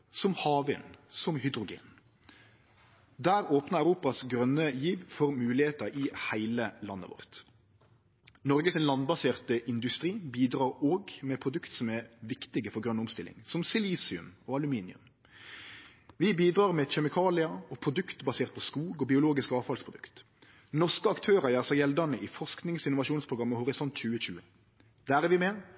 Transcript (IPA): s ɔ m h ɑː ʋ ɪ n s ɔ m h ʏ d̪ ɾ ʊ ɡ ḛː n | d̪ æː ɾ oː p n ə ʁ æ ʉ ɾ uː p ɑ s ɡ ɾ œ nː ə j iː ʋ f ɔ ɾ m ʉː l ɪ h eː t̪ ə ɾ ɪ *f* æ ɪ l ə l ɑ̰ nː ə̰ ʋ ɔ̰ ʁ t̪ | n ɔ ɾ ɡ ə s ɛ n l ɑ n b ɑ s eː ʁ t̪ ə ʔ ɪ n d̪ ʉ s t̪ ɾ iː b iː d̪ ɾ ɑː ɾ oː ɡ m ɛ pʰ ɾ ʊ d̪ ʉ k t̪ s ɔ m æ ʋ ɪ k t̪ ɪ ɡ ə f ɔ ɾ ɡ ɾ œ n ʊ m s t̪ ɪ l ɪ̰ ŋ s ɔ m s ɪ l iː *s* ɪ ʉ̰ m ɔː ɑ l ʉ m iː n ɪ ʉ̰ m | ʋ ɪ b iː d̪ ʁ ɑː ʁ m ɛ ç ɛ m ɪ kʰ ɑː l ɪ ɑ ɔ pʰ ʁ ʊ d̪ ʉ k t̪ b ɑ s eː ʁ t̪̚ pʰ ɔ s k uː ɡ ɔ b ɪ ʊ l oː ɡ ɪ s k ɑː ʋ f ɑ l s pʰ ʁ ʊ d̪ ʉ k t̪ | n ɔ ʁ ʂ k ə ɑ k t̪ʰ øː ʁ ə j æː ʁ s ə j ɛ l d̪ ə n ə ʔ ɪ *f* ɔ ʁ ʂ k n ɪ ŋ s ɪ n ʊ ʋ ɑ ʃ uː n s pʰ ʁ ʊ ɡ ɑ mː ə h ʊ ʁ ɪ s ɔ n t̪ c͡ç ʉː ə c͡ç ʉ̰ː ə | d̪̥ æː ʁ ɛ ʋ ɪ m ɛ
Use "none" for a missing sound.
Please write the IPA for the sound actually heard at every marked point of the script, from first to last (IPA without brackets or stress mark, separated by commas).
h, s, f